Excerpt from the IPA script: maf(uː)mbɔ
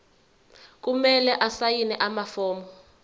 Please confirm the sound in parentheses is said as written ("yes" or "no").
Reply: no